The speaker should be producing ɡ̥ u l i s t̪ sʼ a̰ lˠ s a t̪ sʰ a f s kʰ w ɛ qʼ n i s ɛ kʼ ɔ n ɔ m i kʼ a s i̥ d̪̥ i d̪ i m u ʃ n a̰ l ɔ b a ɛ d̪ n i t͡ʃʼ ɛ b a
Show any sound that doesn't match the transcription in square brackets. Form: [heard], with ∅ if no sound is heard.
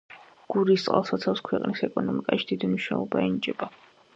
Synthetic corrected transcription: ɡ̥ u [ɾ] i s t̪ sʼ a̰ lˠ s a t̪ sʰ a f s kʰ w ɛ qʼ n i s ɛ kʼ ɔ n ɔ m i kʼ a [ʃ] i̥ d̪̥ i d̪ i m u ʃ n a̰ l ɔ b a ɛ [∅] n i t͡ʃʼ ɛ b a